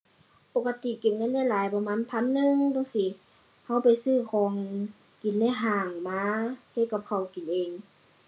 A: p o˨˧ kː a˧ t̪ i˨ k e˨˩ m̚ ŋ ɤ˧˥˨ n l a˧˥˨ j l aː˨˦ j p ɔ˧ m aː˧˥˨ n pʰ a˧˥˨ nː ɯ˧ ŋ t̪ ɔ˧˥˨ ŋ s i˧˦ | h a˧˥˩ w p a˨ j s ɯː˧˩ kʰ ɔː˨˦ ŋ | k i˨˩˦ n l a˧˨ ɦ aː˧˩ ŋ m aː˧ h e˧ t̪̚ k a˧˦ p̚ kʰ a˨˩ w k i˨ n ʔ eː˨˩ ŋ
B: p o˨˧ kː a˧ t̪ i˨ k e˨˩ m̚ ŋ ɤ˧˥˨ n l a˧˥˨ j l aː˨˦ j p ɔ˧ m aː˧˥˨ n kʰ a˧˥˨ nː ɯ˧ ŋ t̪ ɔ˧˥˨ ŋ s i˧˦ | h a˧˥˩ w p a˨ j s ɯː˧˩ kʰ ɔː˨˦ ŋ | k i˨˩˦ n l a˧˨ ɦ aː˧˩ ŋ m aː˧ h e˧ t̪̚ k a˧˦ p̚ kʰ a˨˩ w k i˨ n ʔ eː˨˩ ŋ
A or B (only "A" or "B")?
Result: A